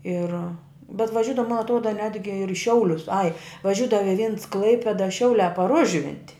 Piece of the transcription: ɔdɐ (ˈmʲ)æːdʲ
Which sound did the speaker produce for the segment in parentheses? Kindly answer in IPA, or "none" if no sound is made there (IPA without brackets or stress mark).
nʲ